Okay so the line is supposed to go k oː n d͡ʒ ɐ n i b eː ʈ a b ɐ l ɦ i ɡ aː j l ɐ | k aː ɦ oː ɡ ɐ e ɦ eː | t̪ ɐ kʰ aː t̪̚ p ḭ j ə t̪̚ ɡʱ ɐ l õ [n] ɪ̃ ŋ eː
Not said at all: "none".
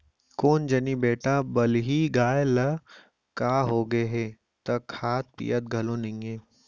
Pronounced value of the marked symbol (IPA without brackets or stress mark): n